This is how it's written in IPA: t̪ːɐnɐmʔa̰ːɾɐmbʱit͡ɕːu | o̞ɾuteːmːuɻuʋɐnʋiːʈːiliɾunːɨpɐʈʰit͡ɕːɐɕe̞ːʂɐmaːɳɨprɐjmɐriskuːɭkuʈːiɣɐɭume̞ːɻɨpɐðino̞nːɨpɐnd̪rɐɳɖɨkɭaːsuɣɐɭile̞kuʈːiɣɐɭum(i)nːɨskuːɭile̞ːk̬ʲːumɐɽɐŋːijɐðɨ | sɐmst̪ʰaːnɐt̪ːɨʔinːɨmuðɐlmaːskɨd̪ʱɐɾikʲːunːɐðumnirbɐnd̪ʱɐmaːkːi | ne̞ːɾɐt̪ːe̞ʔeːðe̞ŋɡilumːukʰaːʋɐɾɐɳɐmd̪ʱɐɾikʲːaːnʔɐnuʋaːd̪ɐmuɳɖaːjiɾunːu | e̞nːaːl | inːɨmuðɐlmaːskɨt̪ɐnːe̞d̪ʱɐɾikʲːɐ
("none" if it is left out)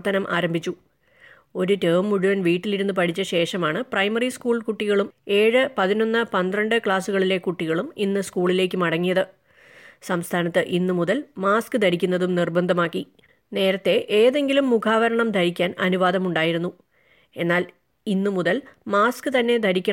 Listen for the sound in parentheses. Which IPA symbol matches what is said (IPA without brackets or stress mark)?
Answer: i